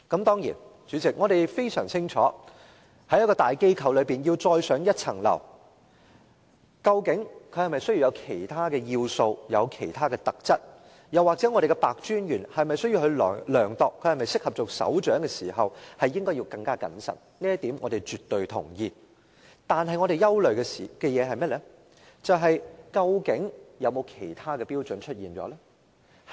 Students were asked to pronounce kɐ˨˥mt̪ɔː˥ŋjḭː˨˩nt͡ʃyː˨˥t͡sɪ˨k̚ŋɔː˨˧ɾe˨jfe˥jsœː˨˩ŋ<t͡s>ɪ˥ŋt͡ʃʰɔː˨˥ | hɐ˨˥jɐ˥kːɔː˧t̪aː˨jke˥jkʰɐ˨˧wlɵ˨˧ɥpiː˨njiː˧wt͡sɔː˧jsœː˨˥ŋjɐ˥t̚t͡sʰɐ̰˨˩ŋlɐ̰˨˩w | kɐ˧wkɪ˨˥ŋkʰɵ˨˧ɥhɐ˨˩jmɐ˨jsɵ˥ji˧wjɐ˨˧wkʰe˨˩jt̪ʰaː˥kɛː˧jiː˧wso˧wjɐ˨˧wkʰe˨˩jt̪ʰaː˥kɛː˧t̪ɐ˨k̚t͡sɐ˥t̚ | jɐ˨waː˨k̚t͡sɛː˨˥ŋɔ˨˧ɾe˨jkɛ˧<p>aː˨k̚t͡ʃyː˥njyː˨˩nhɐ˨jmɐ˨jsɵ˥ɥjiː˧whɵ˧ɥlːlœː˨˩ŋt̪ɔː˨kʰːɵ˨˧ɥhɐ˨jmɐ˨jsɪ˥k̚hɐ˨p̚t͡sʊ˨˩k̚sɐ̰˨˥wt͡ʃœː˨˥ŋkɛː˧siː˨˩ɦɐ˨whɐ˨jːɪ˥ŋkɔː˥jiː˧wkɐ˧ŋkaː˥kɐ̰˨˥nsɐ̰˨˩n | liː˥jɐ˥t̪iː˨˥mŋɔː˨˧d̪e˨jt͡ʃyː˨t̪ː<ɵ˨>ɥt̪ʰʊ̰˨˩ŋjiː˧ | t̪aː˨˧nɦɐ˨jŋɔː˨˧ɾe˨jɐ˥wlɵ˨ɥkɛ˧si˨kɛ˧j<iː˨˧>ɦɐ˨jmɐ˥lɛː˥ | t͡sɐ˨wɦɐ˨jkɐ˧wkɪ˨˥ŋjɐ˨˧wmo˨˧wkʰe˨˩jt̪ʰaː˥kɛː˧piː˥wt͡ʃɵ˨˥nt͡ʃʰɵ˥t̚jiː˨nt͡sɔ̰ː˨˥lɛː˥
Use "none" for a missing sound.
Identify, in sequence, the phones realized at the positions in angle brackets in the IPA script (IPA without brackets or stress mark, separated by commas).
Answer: t͡sʰ, p, ɵ˨, ɛː˨˧